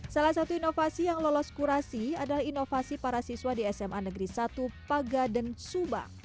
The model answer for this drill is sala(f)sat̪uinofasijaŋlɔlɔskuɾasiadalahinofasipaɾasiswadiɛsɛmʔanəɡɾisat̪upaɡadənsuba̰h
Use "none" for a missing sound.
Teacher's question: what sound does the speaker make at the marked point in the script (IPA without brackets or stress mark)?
h